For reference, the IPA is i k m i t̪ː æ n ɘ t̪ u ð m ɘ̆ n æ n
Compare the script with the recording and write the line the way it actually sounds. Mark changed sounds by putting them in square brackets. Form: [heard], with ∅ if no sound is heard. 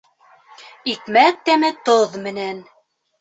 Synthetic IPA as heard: i k m [æ] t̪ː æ [m] ɘ t̪ [o] ð m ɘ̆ n æ n